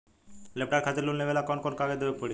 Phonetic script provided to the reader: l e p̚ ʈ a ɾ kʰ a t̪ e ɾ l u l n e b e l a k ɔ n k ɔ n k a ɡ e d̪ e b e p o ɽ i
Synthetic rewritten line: l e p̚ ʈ a ɾ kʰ a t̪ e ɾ l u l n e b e l a k ɔ n k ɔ n k a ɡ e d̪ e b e p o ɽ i